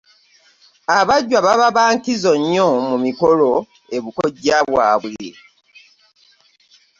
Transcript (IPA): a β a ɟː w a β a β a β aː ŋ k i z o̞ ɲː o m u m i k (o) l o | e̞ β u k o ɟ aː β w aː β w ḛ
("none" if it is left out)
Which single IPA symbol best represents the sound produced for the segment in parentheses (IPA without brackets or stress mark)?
o